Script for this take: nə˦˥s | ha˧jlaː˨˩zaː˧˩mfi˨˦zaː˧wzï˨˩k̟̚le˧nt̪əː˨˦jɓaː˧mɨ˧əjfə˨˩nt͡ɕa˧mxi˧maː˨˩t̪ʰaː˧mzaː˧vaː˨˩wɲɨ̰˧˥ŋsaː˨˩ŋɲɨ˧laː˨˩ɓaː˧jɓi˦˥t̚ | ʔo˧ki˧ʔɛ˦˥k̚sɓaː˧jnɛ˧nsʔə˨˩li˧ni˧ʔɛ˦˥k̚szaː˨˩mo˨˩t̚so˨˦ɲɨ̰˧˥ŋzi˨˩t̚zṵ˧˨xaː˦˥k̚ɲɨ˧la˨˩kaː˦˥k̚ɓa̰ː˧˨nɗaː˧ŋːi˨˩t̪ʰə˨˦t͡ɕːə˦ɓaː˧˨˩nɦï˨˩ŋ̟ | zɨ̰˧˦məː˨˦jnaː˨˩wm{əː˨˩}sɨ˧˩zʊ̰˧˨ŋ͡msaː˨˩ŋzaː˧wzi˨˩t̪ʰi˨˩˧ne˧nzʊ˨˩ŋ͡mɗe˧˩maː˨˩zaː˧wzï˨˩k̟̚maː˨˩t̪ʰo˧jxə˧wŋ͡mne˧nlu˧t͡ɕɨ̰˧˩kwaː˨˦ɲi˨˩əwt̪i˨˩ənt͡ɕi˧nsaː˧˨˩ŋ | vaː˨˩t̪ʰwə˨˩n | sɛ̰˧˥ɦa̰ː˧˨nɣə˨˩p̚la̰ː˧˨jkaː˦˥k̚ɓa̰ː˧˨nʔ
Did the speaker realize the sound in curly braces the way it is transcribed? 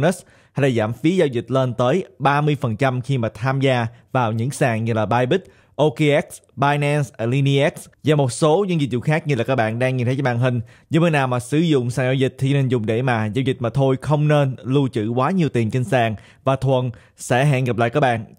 no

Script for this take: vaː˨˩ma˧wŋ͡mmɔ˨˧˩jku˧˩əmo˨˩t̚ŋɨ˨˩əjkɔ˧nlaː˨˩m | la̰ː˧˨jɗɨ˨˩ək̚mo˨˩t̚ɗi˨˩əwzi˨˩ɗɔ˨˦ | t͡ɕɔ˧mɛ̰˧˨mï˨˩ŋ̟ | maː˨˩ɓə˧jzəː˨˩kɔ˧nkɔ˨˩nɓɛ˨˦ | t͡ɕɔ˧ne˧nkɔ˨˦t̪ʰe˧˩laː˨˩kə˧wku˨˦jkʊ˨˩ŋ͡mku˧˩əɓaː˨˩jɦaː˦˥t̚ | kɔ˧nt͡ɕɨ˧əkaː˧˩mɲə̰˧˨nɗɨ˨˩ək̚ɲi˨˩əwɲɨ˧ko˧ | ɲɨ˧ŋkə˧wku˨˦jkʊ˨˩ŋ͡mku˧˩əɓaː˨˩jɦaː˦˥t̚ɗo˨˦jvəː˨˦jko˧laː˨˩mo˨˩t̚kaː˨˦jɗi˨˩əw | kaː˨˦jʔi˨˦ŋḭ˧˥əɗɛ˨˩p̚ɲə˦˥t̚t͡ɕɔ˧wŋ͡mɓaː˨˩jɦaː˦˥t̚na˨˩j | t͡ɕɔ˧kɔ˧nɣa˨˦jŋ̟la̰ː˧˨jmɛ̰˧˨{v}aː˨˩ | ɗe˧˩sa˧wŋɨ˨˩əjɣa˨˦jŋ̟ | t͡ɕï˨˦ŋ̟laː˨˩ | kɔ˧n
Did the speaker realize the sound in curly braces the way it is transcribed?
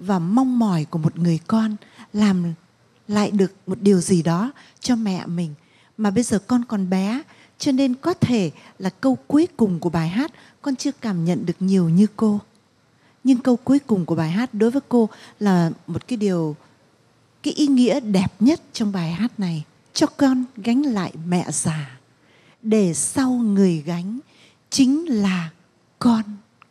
no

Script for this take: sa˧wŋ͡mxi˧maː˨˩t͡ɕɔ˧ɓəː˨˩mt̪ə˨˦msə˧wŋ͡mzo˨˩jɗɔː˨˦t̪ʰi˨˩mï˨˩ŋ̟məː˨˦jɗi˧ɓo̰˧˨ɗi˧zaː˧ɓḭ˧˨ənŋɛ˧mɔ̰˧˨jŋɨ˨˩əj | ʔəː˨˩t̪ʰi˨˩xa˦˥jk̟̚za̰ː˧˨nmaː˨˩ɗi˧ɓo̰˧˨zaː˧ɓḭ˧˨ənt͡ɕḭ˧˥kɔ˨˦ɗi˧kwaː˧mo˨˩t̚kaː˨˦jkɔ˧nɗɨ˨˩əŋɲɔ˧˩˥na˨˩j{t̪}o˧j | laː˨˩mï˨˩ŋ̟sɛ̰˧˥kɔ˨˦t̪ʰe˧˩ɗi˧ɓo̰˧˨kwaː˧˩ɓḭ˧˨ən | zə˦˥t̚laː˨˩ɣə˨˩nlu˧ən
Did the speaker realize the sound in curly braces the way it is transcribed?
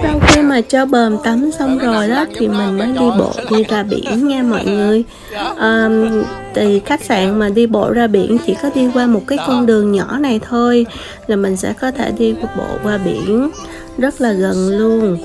no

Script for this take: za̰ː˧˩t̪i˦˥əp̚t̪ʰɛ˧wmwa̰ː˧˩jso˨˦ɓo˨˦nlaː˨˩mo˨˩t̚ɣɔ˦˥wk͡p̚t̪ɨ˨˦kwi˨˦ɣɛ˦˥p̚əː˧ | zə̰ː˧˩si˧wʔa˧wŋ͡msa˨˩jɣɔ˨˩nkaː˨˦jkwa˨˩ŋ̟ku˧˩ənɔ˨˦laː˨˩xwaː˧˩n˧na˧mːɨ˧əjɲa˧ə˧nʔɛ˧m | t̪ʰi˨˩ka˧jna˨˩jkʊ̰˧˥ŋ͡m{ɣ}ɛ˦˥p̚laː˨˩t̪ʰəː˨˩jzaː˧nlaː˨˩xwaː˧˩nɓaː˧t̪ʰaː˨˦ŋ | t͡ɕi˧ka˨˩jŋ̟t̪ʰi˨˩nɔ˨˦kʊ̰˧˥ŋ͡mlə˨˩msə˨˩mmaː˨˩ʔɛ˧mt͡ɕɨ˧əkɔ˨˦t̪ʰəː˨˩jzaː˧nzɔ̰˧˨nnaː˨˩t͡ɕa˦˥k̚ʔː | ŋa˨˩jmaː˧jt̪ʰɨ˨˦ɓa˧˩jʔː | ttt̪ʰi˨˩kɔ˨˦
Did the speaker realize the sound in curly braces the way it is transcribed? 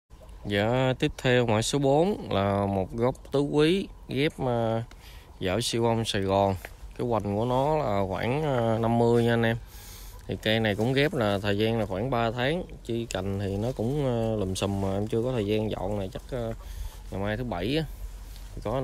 yes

